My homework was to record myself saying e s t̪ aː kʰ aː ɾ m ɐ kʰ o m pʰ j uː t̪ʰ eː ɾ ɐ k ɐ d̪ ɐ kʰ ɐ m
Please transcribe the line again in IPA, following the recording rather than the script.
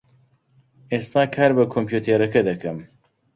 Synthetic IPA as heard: e s t̪ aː kʰ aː ɾ b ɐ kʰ o m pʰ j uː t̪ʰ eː ɾ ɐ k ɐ d̪ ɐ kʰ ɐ m